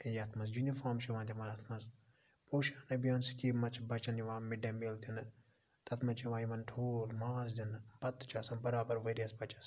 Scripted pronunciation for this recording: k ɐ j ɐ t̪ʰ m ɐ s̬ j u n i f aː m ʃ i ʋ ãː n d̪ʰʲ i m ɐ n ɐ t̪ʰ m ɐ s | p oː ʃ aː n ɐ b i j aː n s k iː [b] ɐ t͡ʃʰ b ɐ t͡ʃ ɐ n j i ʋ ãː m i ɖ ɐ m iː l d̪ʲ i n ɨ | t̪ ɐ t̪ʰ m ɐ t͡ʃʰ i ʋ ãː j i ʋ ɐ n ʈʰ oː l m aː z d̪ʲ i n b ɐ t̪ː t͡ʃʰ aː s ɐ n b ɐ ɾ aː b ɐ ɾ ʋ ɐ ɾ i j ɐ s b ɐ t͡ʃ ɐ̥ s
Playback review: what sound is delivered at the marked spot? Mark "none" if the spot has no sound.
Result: m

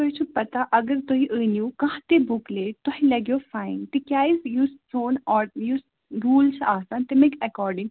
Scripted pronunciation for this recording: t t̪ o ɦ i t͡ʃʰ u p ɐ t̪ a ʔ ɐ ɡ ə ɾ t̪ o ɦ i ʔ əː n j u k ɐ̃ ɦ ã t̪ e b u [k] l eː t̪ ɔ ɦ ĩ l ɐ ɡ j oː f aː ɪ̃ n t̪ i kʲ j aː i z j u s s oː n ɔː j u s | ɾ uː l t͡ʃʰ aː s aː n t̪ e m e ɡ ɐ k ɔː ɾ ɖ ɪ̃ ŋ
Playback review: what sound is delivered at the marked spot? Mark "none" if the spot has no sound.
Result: k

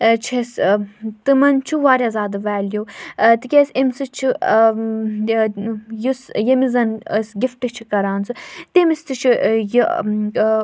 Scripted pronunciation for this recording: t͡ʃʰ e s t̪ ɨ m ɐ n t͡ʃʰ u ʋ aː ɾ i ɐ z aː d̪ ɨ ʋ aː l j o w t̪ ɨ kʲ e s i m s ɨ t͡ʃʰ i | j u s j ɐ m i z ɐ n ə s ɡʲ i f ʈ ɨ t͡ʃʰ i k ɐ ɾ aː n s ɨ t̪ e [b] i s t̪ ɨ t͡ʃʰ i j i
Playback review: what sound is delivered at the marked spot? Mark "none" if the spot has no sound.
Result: m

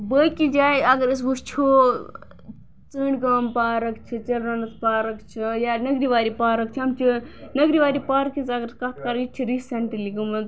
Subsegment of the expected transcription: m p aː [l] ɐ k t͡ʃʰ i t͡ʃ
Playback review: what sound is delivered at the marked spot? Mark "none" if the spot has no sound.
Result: ɾ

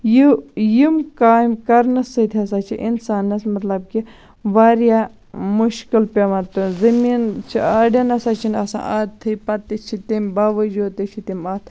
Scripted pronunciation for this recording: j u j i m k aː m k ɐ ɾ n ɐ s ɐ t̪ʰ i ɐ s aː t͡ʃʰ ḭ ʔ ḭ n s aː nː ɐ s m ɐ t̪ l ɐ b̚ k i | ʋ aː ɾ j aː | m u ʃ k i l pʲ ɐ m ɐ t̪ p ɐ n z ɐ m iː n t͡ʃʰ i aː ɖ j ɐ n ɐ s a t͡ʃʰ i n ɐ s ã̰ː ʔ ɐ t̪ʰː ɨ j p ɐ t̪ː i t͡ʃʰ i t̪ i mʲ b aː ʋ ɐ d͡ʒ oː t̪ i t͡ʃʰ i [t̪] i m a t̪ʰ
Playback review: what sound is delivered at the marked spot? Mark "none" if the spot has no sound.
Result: t̪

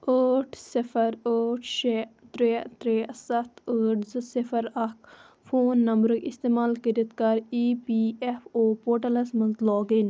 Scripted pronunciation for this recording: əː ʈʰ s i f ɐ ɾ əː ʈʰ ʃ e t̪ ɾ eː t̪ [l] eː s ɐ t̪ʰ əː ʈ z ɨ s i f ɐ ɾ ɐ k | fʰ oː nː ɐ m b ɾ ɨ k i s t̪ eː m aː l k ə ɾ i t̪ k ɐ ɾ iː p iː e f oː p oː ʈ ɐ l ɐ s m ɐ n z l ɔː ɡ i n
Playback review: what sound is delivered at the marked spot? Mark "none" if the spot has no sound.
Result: ɾ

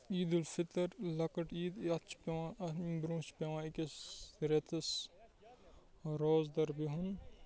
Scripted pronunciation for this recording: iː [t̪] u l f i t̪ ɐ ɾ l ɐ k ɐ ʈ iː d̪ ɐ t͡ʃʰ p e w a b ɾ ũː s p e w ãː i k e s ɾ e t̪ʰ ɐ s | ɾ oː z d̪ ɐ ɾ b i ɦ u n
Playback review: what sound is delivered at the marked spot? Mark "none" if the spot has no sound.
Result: d̪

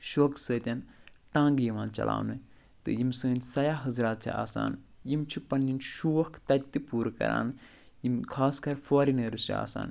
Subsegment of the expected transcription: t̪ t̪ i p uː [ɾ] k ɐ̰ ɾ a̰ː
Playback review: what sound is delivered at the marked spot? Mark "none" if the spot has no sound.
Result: ɾ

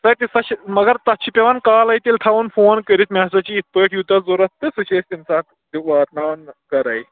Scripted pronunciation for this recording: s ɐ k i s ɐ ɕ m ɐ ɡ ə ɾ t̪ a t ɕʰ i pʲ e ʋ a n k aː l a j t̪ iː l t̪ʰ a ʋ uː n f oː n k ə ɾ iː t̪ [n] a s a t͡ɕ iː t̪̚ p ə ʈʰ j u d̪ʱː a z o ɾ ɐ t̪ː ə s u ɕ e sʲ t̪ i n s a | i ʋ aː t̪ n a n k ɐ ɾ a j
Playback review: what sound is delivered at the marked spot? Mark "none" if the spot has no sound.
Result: m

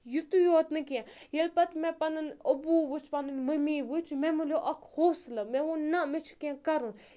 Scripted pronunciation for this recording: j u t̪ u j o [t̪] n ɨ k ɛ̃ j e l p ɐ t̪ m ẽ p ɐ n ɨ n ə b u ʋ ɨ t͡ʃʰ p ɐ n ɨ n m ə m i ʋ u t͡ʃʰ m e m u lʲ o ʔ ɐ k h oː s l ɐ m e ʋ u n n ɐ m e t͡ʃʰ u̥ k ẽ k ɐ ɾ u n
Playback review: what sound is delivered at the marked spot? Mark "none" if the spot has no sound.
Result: t̪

